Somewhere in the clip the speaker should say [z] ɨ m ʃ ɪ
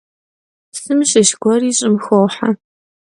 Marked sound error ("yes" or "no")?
yes